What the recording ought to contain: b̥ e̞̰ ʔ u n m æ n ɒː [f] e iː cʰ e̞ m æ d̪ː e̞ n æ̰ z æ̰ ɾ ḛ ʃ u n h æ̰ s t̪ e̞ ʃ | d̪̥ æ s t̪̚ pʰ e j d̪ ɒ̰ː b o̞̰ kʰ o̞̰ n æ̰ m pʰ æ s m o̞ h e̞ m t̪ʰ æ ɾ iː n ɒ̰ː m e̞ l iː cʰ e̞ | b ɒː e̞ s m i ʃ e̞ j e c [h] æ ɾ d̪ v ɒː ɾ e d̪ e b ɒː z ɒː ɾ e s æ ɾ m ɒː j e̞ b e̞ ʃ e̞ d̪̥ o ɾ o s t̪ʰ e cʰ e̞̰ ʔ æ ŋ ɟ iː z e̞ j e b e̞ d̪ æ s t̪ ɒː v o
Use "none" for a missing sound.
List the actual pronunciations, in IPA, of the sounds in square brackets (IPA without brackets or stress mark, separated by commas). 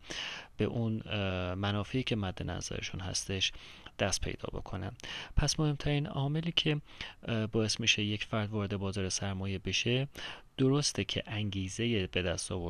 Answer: f, f